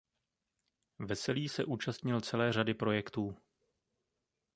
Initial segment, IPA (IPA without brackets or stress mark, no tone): v